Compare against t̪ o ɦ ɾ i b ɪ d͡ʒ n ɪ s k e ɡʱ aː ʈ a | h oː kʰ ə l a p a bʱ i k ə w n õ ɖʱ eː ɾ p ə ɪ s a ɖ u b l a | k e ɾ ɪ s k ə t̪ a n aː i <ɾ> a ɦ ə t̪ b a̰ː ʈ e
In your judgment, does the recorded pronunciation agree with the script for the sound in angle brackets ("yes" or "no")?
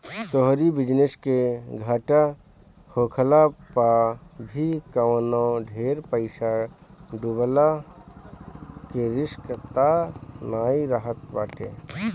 yes